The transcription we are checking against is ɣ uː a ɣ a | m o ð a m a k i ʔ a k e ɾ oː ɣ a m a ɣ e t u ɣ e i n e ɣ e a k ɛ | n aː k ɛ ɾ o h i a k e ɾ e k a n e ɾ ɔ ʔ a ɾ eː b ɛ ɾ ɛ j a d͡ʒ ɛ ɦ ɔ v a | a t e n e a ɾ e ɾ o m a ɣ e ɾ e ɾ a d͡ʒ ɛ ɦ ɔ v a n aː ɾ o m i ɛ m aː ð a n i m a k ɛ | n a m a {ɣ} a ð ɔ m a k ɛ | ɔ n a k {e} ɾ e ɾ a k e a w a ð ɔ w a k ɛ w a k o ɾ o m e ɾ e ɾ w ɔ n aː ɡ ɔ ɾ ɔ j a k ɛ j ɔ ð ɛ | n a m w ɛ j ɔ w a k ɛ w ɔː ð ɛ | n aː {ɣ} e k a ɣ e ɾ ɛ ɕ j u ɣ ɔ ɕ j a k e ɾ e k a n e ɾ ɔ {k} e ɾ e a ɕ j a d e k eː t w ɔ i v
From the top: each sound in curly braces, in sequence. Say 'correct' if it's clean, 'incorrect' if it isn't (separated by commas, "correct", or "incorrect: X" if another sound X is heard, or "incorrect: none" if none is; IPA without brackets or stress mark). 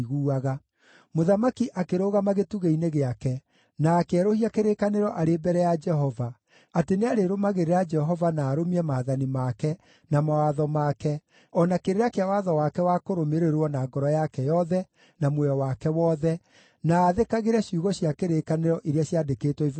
incorrect: w, correct, incorrect: ð, incorrect: ʔ